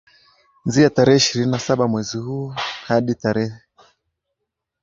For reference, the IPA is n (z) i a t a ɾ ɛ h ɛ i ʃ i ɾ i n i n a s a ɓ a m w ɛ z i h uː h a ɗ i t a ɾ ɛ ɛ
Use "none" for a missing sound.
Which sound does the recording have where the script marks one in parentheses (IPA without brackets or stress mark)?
z